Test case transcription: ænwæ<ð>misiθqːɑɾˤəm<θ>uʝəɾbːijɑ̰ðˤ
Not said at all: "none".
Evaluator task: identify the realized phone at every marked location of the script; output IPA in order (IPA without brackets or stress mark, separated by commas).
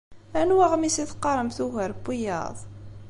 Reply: ʁ, θ